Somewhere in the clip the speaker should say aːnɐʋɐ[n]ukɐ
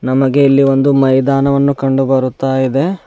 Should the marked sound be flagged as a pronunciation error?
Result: yes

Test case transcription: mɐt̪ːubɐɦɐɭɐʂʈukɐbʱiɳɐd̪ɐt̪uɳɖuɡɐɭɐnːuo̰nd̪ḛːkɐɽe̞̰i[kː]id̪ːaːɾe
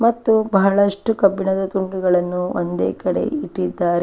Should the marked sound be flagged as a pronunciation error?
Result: yes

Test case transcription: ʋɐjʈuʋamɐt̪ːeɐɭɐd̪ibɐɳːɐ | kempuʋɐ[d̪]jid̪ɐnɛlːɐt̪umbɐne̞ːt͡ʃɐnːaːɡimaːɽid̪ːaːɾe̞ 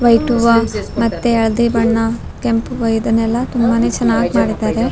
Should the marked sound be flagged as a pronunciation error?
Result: yes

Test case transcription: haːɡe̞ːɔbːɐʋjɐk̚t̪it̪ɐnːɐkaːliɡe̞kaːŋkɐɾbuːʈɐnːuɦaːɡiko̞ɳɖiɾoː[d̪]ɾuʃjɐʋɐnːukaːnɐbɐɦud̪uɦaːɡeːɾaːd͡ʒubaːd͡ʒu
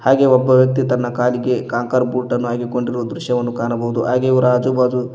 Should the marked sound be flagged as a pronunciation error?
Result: no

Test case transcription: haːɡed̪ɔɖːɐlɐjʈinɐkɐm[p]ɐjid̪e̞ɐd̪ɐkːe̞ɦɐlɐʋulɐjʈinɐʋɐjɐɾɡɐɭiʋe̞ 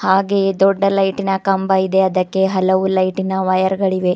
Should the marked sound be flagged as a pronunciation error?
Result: yes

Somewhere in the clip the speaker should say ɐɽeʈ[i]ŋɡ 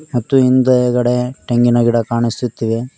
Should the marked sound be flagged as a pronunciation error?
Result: yes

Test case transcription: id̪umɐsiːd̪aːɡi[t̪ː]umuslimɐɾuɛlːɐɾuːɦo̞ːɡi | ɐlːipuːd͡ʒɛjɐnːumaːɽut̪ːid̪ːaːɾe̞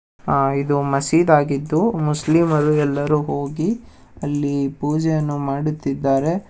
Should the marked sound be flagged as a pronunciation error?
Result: yes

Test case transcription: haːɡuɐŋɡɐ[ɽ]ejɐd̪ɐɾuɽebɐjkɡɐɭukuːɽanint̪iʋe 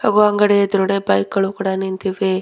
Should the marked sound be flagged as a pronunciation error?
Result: no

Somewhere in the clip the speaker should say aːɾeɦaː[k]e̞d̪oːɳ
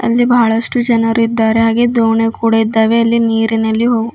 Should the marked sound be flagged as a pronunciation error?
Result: yes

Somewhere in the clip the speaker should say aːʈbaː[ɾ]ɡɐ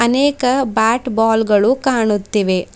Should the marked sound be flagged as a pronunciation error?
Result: yes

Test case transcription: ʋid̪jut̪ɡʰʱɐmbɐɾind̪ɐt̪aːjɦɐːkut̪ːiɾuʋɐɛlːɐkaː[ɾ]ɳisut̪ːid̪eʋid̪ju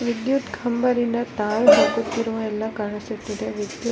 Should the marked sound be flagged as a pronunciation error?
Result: yes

